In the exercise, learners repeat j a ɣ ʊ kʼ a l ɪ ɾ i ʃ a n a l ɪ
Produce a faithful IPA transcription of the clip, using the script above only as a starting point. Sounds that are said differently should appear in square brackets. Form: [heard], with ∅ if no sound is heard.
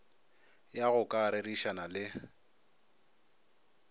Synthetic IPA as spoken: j a ɣ ʊ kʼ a [ɾ] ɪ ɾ i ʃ a n a l ɪ

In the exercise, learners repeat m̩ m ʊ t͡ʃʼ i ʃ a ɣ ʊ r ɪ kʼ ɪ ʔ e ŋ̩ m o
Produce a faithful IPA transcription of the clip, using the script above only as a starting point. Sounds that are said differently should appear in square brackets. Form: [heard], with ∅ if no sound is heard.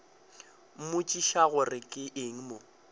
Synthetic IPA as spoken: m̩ m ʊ t͡ʃʼ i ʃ a ɣ ʊ r ɪ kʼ ɪ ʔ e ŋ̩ m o

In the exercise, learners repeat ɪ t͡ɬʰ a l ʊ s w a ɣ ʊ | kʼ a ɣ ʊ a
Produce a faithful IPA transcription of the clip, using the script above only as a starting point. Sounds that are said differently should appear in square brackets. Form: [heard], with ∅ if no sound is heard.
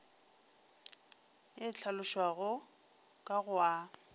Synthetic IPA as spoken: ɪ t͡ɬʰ a l ʊ [ʃ] w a ɣ ʊ | kʼ a ɣ ʊ a

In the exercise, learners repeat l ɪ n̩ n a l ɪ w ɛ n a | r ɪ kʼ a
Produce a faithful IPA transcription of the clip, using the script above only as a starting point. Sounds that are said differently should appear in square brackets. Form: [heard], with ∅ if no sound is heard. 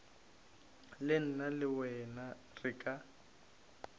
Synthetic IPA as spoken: l ɪ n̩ n a l ɪ w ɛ n a | r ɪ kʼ a

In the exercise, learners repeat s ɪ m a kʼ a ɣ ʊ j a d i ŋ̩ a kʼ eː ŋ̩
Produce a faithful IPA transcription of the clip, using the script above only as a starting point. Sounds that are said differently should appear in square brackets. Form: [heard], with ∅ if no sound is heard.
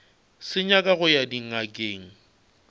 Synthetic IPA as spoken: s ɪ [ɲ] a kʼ a ɣ ʊ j a d i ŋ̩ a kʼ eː ŋ̩

